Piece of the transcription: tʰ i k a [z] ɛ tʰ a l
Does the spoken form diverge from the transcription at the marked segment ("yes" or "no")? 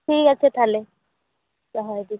yes